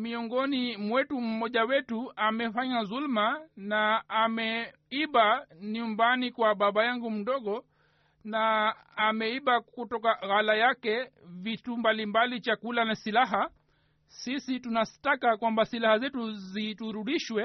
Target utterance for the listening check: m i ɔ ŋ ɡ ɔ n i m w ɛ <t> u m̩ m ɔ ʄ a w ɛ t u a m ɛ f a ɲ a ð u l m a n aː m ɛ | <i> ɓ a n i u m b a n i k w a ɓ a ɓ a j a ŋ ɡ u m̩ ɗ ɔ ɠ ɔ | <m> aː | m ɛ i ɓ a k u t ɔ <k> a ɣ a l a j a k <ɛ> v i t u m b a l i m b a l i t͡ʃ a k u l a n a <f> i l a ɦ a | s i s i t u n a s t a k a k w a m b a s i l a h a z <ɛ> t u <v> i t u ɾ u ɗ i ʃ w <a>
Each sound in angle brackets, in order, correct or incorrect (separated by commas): correct, correct, incorrect, correct, correct, incorrect, correct, incorrect, incorrect